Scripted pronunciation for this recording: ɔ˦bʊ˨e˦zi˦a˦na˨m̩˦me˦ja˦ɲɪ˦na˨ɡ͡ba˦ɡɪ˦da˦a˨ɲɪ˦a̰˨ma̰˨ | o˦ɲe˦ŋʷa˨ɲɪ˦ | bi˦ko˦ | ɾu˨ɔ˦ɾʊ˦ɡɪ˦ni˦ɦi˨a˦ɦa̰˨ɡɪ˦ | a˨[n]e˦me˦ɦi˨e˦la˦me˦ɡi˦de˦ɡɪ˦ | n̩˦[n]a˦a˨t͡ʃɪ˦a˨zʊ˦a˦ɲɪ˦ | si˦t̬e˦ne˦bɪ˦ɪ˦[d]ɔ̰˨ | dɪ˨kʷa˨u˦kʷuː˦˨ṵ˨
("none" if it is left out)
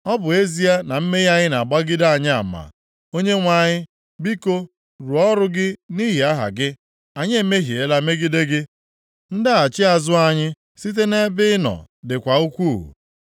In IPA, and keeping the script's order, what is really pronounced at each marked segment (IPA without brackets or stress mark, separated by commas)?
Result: ɲ, d, n